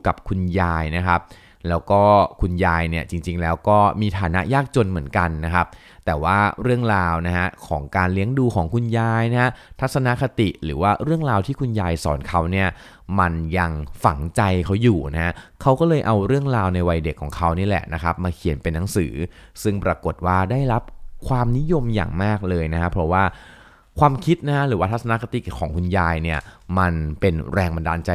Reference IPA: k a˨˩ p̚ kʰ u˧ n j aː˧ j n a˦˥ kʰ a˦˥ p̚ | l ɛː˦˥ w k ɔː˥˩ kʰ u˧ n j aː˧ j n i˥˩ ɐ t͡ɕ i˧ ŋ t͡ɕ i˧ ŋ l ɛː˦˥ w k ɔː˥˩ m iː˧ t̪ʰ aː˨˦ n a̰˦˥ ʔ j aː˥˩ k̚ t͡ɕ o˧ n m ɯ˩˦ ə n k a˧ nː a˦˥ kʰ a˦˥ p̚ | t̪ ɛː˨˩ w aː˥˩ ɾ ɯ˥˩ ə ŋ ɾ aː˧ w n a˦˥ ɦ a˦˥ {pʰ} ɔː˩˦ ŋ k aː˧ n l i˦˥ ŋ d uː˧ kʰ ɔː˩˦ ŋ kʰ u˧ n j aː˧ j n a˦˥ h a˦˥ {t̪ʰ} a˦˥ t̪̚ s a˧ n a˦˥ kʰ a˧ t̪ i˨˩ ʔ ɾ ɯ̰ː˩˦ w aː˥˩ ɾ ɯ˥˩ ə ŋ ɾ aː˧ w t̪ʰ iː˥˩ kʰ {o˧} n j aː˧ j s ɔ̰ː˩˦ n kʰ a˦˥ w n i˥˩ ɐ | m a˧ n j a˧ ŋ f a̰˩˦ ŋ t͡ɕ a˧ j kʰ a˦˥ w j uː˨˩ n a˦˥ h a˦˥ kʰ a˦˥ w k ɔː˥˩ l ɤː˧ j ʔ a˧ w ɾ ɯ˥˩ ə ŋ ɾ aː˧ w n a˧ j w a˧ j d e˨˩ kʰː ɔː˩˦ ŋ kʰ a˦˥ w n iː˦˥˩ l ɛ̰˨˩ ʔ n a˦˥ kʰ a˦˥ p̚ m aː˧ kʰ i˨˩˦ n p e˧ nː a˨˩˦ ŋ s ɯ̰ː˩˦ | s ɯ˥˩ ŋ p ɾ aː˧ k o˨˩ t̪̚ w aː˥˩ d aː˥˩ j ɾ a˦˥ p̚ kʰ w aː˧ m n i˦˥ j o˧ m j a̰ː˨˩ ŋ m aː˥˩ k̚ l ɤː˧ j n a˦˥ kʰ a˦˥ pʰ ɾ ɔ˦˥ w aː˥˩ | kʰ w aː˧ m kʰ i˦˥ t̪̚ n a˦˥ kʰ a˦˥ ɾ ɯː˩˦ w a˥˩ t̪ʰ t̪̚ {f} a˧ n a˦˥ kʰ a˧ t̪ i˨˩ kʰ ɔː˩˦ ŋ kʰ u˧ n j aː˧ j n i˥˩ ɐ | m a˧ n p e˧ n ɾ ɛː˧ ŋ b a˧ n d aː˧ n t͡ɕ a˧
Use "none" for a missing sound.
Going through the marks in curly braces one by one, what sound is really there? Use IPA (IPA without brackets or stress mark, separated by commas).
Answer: kʰ, t̪ʰ, u˧, s